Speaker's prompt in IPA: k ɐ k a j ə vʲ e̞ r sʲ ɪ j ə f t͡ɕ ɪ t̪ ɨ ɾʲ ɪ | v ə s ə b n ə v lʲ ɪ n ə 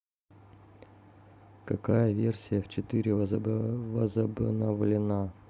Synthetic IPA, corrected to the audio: k ɐ k a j ə vʲ e̞ r sʲ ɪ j ə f t͡ɕ ɪ t̪ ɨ ɾʲ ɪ | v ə z ə b n ə v lʲ ɪ n a